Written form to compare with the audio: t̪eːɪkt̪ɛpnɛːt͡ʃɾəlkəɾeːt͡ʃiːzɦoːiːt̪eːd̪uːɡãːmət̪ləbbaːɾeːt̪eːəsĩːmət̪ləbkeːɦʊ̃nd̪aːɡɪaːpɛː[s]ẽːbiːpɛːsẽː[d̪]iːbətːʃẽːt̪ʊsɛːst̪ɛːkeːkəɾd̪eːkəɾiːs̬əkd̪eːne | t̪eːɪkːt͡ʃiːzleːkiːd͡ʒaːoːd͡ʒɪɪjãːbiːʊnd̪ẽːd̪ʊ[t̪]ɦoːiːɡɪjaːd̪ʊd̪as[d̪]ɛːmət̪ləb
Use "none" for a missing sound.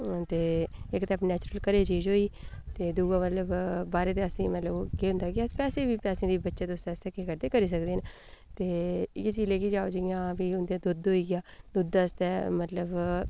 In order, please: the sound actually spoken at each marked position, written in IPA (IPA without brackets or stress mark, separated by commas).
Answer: s, d̪, d̪, t̪